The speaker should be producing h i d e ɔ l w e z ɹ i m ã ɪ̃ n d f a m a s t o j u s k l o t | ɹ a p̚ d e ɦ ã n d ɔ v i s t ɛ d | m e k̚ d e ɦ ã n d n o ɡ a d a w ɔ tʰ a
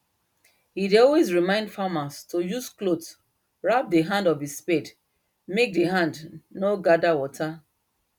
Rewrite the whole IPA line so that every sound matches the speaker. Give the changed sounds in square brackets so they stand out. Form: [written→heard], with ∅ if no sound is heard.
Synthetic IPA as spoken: h i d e ɔ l w e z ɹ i m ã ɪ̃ n d f a m a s t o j u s k l o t | ɹ a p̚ d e ɦ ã n d ɔ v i s [t→p] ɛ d | m e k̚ d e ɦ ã n d n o ɡ a d a w ɔ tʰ a